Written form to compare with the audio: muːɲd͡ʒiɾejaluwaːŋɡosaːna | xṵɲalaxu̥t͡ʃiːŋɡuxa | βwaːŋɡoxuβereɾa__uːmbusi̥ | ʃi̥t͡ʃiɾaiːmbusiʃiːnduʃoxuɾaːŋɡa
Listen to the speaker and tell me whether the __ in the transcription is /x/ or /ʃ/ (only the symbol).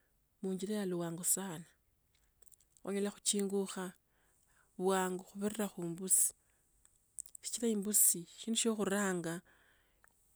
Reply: x